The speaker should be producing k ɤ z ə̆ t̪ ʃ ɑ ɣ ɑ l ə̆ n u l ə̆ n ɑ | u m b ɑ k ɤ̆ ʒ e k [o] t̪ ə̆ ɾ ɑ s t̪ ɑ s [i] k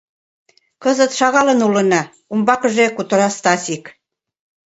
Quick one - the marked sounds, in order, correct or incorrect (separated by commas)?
incorrect, correct